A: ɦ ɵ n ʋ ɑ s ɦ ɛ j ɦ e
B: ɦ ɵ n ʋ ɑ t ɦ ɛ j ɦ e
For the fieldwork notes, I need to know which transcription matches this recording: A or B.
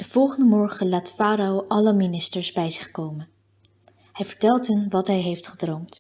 B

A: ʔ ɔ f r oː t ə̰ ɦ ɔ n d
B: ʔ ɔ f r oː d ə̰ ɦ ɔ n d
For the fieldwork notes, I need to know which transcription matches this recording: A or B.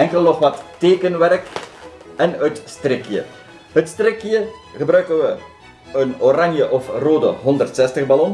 B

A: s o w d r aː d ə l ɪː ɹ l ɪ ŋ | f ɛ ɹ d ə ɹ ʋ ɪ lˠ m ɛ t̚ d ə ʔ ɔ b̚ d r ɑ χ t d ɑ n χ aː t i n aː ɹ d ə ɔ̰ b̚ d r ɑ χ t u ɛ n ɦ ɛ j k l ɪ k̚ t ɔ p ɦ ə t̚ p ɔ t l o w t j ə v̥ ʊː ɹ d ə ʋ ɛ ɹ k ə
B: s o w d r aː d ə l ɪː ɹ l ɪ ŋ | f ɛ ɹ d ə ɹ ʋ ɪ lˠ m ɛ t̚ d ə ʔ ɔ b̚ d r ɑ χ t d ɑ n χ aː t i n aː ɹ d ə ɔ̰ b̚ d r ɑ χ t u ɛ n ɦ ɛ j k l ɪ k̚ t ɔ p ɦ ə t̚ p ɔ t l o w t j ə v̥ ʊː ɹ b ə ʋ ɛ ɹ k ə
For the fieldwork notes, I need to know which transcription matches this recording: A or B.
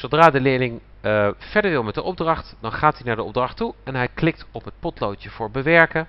B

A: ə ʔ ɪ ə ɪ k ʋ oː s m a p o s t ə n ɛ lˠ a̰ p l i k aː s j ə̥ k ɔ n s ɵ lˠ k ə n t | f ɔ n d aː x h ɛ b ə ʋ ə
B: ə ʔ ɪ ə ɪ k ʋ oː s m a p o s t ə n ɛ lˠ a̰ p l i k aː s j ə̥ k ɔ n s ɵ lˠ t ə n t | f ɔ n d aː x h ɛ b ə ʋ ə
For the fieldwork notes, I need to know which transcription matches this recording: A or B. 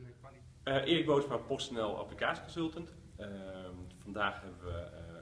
B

